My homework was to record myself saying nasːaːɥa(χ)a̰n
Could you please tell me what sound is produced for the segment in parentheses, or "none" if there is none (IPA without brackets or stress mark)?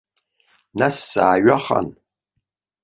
χ